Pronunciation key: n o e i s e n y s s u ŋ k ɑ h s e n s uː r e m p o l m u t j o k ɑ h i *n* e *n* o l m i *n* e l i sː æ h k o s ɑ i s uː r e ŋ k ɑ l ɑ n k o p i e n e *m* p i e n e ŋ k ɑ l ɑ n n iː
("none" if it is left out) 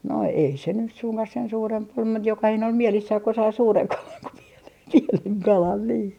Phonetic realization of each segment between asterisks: n, none, none, n

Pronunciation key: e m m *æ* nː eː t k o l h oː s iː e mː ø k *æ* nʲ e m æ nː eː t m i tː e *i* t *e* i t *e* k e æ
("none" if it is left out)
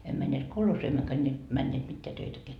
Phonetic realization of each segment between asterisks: æ, æ, æ, ø, æ

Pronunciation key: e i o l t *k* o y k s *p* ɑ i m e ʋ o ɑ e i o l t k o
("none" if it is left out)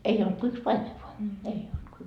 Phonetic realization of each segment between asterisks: k, p

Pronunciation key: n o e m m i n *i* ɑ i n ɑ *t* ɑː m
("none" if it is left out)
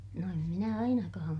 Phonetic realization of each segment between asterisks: æ, k

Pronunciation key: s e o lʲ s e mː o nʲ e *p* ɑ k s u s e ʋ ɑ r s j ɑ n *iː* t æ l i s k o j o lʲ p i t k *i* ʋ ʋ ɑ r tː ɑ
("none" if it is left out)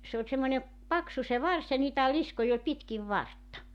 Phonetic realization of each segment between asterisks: p, iː, i

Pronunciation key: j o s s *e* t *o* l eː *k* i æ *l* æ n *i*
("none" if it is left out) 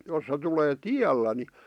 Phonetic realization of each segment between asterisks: e, u, t, lː, i

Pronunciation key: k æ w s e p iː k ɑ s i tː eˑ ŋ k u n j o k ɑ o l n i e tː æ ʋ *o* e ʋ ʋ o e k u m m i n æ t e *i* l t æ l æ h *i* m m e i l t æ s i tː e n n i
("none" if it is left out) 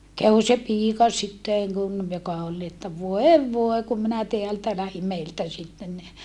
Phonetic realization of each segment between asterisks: o, æ, i

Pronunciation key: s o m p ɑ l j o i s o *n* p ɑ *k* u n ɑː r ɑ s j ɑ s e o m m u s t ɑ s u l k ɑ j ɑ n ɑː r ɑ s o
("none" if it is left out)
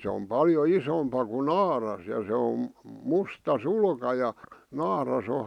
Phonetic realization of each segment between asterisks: m, k

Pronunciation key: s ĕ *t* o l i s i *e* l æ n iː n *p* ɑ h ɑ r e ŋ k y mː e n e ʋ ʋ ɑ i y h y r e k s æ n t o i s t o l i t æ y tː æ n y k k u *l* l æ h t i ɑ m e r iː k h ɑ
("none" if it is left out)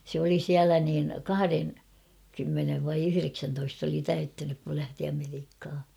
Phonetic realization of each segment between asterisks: none, æ, k, l

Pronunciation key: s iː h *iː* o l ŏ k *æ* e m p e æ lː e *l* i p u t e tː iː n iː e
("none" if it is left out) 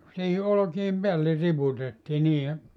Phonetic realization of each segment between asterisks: i, i, r

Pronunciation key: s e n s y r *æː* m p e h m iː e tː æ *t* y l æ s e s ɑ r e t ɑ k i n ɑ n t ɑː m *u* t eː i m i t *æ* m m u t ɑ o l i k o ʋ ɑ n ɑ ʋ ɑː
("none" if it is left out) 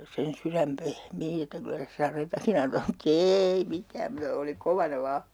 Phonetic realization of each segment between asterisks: æ, k, u, æː

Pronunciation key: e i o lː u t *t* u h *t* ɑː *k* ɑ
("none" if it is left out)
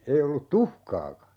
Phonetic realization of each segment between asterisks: t, k, k

